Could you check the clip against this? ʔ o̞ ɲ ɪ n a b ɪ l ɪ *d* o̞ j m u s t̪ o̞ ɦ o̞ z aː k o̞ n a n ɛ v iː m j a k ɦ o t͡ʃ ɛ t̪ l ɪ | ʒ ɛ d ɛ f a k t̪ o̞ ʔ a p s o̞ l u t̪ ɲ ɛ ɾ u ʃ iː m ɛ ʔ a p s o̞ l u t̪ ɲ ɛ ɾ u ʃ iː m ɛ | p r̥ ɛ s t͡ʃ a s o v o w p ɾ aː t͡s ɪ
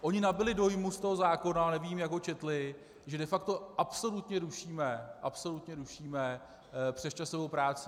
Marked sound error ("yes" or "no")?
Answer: no